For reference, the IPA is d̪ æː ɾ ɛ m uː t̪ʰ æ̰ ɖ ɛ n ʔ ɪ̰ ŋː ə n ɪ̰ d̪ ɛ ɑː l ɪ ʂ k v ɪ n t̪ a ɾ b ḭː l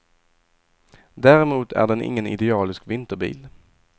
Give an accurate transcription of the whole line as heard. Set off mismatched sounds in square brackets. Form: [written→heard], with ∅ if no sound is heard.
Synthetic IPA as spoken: d̪ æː ɾ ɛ m uː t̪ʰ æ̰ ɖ ɛ n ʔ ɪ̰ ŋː ə n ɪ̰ d̪ ɛ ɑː l ɪ [ʂ→s] k v ɪ n t̪ [a→ə] ɾ b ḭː l

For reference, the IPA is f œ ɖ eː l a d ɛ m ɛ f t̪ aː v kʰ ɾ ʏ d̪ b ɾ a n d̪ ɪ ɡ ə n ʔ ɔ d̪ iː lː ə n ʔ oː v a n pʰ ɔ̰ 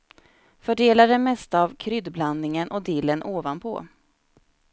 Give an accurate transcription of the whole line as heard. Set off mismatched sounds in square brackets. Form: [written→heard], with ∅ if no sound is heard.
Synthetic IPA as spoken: f œ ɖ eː l a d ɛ m ɛ [f→s] t̪ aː v kʰ ɾ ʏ d̪ b [ɾ→l] a n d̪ ɪ [ɡ→ŋ] ə n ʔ ɔ d̪ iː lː ə n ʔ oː v a n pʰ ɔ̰

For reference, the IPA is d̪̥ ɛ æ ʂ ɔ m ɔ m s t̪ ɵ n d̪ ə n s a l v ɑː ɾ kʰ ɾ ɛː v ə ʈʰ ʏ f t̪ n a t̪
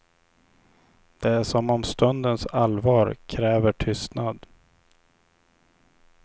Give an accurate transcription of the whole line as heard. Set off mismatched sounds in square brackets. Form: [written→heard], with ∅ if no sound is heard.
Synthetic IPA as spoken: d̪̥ ɛ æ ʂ ɔ m ɔ m s t̪ ɵ n d̪ ə n s a l v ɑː ɾ kʰ ɾ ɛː v ə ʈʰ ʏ [f→s] t̪ n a [t̪→d̪]

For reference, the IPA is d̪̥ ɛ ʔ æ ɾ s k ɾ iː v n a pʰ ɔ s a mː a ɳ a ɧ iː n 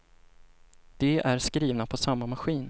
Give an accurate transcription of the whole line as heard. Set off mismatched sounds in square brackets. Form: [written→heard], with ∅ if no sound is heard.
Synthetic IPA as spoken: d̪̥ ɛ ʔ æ ɾ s k ɾ iː v n a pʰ ɔ s a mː a [ɳ→m] a ɧ iː n

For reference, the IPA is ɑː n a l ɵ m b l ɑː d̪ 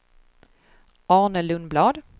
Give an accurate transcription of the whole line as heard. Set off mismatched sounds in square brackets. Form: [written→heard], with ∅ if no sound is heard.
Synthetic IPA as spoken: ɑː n [a→ə] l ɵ [m→n] b l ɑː d̪

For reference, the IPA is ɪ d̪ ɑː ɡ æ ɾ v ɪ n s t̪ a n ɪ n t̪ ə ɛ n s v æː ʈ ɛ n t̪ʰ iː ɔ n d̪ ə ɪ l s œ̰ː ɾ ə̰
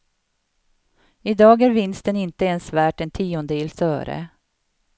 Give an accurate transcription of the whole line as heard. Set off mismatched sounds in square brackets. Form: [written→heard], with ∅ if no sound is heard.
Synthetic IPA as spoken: ɪ d̪ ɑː ɡ æ ɾ v ɪ n s t̪ [a→ə] n ɪ n t̪ ə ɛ n s v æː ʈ ɛ n t̪ʰ iː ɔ n d̪ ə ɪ l s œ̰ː ɾ ə̰

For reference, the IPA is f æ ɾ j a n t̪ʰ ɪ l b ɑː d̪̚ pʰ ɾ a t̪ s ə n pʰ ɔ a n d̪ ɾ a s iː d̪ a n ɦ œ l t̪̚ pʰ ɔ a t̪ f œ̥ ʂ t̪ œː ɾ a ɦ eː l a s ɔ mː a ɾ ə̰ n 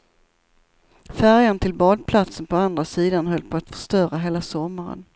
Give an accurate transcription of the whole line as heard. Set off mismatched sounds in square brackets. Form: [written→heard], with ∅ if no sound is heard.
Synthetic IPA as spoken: f æ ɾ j a n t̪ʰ ɪ l b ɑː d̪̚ pʰ [ɾ→l] a t̪ s ə n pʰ ɔ a n d̪ ɾ a s iː d̪ a n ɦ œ l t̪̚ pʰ ɔ a t̪ f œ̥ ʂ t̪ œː ɾ a ɦ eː l a s ɔ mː a ɾ ə̰ n

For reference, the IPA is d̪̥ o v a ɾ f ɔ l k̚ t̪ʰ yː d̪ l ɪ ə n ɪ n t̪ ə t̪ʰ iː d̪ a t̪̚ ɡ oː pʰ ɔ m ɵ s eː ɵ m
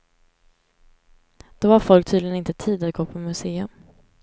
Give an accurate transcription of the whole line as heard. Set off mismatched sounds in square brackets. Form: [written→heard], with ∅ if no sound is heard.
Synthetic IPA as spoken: d̪̥ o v a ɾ f ɔ l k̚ t̪ʰ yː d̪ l ɪ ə n ɪ n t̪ ə t̪ʰ iː d̪ a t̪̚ ɡ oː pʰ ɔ m ɵ s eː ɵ m

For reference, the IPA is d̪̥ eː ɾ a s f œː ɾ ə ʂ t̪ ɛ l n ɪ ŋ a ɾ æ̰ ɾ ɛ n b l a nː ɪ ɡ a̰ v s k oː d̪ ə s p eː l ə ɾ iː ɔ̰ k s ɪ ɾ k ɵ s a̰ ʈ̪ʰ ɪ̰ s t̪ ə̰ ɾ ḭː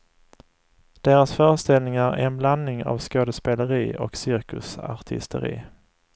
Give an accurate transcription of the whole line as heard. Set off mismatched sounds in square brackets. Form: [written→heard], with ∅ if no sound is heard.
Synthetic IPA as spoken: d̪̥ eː ɾ a s f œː ɾ ə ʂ t̪ ɛ l n ɪ ŋ a ɾ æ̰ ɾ ɛ n b l a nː ɪ [ɡ→ŋ] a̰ v s k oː d̪ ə s p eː l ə ɾ iː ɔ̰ k s ɪ ɾ k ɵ s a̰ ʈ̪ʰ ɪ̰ s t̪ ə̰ ɾ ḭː

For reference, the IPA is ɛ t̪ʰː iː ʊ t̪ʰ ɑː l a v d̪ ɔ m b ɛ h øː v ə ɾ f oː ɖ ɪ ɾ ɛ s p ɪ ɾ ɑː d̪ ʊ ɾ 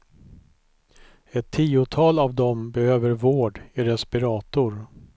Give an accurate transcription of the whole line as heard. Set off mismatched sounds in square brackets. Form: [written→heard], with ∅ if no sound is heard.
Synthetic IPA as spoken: ɛ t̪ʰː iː ʊ t̪ʰ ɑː l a v d̪ ɔ m b ɛ h øː v ə ɾ [f→v] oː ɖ ɪ ɾ ɛ s p ɪ ɾ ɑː [d̪→t̪] ʊ ɾ

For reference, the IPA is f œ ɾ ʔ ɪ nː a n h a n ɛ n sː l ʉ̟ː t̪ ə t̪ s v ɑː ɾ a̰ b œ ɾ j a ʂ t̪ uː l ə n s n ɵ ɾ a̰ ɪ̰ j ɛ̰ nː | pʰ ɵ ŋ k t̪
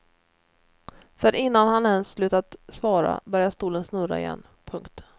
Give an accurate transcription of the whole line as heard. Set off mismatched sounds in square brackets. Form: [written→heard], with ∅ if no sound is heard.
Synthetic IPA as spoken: f œ ɾ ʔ ɪ nː a n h a n ɛ n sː l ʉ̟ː t̪ [ə→a] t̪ s v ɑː ɾ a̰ b œ ɾ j a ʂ t̪ uː l ə n s n ɵ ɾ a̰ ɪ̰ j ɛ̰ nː | pʰ ɵ ŋ k t̪

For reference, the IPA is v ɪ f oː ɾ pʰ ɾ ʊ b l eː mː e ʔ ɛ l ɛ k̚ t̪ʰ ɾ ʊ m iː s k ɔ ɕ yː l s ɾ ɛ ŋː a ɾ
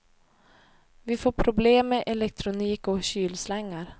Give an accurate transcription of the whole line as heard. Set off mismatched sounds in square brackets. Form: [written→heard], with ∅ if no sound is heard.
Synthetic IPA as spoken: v ɪ f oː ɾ pʰ ɾ ʊ b l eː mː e ʔ ɛ l ɛ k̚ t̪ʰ ɾ ʊ [m→n] iː [s→∅] k ɔ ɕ yː l s [ɾ→l] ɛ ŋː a ɾ

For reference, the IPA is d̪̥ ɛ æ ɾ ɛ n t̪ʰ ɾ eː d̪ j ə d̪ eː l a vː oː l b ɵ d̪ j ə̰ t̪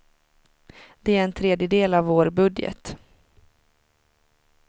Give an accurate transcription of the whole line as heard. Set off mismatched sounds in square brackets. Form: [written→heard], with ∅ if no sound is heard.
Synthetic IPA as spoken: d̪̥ ɛ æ ɾ ɛ n t̪ʰ ɾ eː d̪ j ə d̪ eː l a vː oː [l→ɾ] b ɵ d̪ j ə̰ t̪

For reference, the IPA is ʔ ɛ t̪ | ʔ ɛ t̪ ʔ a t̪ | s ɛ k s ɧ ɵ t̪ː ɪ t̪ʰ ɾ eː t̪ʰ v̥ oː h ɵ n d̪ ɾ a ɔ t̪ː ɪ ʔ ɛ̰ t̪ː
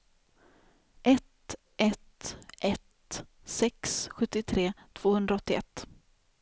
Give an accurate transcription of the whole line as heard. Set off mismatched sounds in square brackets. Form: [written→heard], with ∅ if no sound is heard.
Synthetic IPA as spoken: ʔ ɛ t̪ | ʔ ɛ t̪ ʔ [a→ɛ] t̪ | s ɛ k s ɧ ɵ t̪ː ɪ t̪ʰ ɾ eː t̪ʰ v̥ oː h ɵ n d̪ ɾ a ɔ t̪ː ɪ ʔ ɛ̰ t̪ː

